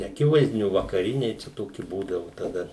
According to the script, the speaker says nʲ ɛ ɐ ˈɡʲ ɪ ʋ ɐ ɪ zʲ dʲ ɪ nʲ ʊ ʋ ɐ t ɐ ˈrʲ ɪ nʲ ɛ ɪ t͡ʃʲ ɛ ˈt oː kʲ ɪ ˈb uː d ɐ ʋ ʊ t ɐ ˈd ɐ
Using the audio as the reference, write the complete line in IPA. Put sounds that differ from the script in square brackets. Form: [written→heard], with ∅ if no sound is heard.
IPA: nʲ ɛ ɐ [ˈɡʲ→ˈkʲ] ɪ ʋ ɐ ɪ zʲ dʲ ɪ nʲ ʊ ʋ ɐ [t→k] ɐ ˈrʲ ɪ nʲ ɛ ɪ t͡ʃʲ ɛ ˈt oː kʲ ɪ ˈb uː d ɐ ʋ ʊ t ɐ ˈd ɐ